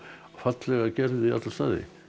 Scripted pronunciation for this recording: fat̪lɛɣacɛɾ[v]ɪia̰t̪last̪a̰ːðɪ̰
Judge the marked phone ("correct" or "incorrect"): incorrect